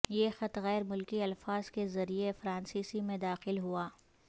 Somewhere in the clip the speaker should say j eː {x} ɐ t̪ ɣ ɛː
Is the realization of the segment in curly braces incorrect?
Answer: no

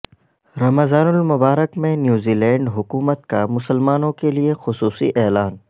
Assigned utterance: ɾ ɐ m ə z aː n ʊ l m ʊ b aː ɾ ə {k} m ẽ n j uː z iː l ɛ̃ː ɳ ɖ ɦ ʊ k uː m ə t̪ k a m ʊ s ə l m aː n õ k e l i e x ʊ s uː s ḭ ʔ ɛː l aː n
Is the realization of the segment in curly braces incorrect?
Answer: no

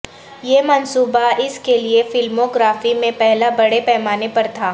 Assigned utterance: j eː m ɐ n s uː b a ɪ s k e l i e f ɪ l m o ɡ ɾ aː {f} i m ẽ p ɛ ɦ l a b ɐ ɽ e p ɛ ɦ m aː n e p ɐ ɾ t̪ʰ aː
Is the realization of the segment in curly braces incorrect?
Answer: no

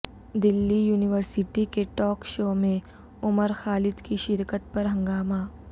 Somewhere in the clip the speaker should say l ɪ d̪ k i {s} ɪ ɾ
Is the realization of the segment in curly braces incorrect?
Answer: yes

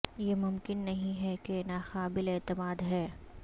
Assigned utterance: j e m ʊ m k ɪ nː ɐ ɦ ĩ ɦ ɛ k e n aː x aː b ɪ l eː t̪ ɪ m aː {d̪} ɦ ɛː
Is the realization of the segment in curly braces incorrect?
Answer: no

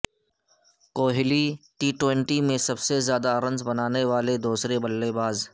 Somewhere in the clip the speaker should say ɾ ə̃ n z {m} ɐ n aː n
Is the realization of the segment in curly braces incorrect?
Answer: yes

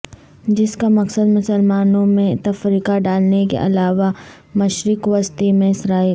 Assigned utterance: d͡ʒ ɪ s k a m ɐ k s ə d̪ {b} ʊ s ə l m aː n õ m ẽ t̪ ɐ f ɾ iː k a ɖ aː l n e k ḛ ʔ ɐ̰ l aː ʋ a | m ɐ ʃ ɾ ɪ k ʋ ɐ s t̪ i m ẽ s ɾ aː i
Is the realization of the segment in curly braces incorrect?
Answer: yes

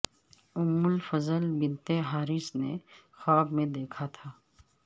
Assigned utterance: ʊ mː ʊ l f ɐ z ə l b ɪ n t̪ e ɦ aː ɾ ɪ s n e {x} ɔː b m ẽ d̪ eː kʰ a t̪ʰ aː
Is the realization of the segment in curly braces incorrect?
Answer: no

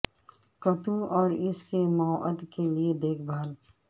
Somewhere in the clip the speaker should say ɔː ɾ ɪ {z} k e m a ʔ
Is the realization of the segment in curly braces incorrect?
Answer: yes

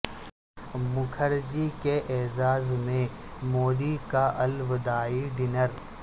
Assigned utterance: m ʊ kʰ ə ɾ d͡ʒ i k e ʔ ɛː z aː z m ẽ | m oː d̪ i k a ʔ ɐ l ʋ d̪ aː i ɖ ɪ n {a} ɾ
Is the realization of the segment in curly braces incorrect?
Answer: yes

